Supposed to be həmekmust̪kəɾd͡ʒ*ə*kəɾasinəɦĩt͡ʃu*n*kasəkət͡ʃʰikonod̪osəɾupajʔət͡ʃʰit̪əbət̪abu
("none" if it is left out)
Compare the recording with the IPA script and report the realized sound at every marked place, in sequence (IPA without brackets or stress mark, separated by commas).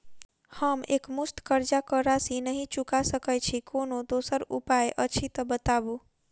a, none